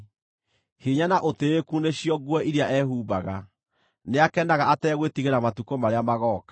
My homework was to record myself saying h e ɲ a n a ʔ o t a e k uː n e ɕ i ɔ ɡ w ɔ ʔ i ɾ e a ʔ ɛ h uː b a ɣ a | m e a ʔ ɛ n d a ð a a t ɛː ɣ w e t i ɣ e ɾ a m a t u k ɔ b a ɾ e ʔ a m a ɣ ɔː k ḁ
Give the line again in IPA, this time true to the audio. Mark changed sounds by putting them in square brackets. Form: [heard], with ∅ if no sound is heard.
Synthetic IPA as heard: h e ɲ a n a ʔ o t [e] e k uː n e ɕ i ɔ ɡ w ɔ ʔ i ɾ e a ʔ ɛ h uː b a ɣ a | [n] e a [k] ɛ n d a [ɣ] a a t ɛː ɣ w e t i ɣ e ɾ a m a t u k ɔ [m] a ɾ e [∅] a m a ɣ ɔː k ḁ